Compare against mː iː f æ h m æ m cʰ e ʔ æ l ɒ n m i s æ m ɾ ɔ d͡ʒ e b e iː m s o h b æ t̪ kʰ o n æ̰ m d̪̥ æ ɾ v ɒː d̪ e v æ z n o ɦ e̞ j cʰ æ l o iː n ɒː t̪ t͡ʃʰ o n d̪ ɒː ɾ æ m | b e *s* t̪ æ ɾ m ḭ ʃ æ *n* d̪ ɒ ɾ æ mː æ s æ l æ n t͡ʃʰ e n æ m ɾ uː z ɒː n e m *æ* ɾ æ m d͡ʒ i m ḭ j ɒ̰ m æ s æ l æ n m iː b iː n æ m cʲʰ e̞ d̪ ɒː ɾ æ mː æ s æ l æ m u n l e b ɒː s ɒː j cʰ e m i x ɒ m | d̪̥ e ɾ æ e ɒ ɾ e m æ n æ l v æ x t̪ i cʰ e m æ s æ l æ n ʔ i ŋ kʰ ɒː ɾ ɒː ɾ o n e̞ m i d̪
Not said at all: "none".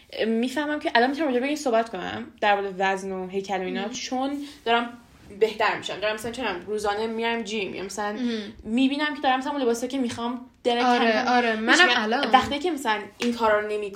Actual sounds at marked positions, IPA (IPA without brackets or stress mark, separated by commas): h, m, i